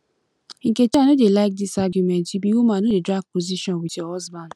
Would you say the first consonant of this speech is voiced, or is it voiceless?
voiced